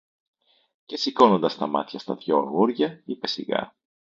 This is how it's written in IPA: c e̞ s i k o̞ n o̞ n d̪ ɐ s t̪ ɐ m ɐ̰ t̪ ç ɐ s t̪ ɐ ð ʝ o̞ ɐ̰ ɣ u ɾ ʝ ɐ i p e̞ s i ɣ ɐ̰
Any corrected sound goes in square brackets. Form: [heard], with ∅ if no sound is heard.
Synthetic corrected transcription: c e̞ s i k o̞ n o̞ n d̪ ɐ s t̪ ɐ m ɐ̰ t̪ ç ɐ s t̪ ɐ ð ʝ o̞ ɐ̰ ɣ u ɾ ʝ ɐ i p e̞ s i ɣ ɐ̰